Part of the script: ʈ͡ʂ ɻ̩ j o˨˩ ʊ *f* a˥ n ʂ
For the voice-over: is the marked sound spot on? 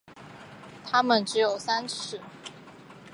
no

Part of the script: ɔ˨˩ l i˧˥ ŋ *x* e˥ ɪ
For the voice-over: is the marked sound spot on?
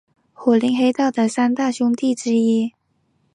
yes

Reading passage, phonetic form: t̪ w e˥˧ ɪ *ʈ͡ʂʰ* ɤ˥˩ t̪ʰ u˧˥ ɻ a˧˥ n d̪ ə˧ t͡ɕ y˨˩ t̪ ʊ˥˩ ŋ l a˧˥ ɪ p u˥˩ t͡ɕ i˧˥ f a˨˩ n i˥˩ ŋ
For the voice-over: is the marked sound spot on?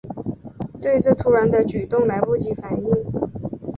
no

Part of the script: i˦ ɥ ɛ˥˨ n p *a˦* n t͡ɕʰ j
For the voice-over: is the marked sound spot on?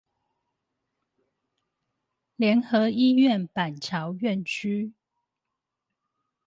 no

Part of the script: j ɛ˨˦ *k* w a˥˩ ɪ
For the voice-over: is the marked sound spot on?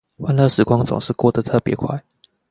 no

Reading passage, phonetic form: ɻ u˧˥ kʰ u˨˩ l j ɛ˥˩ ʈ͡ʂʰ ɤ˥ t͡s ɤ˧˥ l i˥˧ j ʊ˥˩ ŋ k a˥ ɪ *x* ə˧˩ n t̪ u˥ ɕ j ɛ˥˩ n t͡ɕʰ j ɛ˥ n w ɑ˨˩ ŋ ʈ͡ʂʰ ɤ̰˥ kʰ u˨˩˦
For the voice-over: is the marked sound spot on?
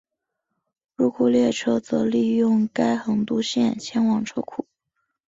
yes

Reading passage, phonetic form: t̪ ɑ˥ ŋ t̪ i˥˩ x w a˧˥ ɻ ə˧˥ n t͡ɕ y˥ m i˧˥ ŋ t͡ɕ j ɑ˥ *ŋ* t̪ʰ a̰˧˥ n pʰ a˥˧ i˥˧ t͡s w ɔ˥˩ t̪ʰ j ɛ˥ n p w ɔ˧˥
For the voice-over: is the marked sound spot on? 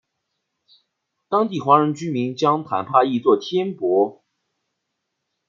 yes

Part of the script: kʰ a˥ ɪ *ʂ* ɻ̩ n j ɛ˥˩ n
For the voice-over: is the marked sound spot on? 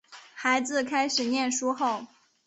yes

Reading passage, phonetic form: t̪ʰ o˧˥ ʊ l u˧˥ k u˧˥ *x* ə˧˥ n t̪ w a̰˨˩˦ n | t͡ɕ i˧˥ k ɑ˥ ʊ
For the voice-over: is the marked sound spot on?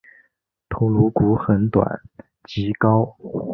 yes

